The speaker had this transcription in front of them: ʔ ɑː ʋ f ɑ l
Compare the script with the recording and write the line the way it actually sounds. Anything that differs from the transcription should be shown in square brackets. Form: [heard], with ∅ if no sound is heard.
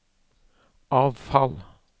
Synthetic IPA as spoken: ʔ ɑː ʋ f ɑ l